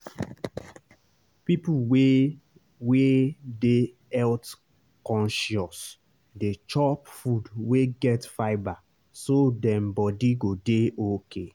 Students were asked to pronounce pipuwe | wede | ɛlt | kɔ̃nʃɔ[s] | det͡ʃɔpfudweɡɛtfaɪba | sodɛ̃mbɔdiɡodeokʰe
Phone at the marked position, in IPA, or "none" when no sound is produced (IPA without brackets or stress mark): s